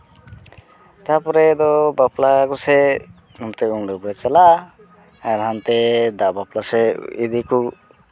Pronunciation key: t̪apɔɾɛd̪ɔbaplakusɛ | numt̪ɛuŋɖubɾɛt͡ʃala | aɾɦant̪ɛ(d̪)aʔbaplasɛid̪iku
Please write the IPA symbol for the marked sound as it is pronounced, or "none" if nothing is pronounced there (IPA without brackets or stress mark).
d̪